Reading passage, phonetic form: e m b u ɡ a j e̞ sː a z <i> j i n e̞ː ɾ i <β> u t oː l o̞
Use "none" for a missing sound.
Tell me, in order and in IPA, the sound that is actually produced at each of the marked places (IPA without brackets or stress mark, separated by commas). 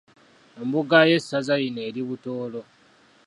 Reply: a, β